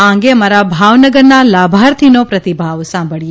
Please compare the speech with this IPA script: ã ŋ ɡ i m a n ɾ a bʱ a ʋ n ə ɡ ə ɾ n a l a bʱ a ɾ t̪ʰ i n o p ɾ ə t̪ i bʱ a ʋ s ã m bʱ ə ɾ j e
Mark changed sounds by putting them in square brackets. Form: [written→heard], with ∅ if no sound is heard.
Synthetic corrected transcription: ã ŋ ɡ [i→e] m a [n→∅] ɾ a bʱ a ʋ n ə ɡ ə ɾ n a l a bʱ a ɾ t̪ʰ i n o p ɾ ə t̪ i bʱ a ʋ s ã m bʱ ə [ɾ→ɭ] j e